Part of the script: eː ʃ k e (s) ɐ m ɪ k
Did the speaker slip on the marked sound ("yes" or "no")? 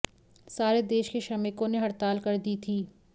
yes